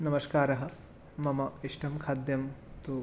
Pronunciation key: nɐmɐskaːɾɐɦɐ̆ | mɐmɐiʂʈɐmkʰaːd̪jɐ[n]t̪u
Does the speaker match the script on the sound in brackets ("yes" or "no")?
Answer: no